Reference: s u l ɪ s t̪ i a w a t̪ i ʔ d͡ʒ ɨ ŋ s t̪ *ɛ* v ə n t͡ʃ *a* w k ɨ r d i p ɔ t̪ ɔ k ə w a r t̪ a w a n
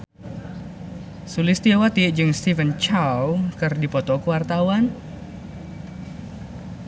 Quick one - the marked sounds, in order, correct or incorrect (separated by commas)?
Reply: incorrect, correct